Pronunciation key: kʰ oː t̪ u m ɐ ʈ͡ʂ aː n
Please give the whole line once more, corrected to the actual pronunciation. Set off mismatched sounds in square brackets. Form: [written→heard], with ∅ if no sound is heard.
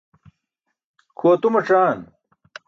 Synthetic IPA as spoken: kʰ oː t̪ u m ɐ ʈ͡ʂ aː n